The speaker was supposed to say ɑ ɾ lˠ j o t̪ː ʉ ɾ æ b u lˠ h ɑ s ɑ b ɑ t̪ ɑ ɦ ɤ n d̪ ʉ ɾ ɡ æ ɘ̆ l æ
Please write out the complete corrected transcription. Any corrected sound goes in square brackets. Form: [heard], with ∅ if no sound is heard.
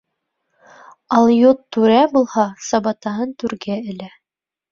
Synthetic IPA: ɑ [∅] lˠ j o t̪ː ʉ ɾ æ b u lˠ h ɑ s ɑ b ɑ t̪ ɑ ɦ ɤ n [t̪] ʉ ɾ ɡ æ ɘ̆ l æ